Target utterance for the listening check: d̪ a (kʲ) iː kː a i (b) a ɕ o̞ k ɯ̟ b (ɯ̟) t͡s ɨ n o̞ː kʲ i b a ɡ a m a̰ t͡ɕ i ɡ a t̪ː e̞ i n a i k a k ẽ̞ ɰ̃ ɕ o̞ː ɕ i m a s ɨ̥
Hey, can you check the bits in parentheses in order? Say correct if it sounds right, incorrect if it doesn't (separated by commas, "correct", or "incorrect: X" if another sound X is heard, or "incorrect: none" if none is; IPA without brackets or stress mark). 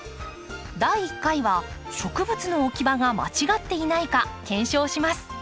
incorrect: none, incorrect: β, correct